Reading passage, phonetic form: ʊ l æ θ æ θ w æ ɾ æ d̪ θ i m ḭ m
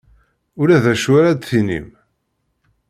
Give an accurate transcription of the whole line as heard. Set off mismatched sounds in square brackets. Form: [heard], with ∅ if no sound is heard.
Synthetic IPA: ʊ [ɾ] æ [ð] æ [ʃ] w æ ɾ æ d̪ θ i [n] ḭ m